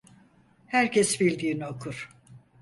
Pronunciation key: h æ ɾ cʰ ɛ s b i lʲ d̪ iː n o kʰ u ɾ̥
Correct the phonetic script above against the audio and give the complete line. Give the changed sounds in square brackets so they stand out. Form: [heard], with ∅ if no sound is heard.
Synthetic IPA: h æ ɾ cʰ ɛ s b i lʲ d̪ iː n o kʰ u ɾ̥